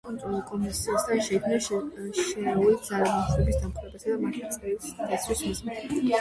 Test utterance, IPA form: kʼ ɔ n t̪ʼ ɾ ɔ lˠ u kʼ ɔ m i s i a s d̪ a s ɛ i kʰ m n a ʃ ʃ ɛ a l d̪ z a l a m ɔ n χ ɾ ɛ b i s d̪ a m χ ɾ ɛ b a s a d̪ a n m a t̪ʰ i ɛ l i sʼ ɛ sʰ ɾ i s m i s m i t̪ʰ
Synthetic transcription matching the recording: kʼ ɔ n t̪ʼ ɾ ɔ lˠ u kʼ ɔ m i s i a s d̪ a ʃ ɛ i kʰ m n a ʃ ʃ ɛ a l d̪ z a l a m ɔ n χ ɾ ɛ b i s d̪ a m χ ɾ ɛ b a s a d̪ a m a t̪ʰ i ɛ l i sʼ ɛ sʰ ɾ i s m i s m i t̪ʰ